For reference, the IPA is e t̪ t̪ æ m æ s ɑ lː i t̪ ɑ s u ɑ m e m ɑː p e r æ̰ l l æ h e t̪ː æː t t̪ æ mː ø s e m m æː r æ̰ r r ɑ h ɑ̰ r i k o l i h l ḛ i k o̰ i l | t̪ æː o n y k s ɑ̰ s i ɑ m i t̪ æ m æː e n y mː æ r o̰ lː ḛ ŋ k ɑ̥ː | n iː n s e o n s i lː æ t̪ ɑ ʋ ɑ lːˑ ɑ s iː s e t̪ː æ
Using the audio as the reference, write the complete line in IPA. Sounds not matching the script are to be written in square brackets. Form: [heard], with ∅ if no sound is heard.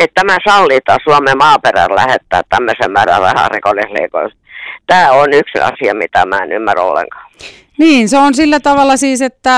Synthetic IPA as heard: e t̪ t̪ æ m æ s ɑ lː i t̪ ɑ s u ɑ m e m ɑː p e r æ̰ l l æ h e t̪ː æː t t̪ æ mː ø s e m m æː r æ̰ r r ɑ h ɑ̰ r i k o l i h l ḛ i k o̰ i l | t̪ æː o n y k s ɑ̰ s i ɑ m i t̪ æ m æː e n y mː æ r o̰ lː ḛ ŋ k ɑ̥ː | n iː n s e o n s i lː æ t̪ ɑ ʋ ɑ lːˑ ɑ s iː s e t̪ː æ